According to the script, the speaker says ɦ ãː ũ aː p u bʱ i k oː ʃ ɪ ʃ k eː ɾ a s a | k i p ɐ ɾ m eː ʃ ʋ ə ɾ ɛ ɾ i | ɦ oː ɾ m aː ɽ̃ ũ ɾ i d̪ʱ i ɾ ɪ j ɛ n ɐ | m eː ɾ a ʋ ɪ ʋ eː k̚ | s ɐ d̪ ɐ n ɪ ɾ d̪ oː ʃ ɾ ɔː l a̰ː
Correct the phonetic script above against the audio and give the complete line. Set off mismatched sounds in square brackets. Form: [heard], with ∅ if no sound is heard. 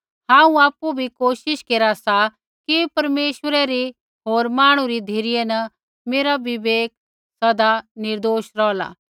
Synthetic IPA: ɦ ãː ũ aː p u bʱ i k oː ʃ ɪ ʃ k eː ɾ a s a | k i p ɐ ɾ m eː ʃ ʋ ə ɾ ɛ ɾ i | ɦ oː ɾ m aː ɽ̃ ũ ɾ i d̪ʱ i ɾ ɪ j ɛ n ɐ | m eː ɾ a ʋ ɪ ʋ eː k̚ | s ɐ d̪ [a] n ɪ ɾ d̪ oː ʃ ɾ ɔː l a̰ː